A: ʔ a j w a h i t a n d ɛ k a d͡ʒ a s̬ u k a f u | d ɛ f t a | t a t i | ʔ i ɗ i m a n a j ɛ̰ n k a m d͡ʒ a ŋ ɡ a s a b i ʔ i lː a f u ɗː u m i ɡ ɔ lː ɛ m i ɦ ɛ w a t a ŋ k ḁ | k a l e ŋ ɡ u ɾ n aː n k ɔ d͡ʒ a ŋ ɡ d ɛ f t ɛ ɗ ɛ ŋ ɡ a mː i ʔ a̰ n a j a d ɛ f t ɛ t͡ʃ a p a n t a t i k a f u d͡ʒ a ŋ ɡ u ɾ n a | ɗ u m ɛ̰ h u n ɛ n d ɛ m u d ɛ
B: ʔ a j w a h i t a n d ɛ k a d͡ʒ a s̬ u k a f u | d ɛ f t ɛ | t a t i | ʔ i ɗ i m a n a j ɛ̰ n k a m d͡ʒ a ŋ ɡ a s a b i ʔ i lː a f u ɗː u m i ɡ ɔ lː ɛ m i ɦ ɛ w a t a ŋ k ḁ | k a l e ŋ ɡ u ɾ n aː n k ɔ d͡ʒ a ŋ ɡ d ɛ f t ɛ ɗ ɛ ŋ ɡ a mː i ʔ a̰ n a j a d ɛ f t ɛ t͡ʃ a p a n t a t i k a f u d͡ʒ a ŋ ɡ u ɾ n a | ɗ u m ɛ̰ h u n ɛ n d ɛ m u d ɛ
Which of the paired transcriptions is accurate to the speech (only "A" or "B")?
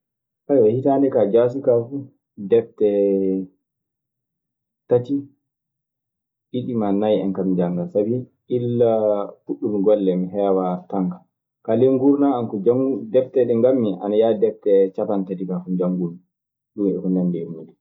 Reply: B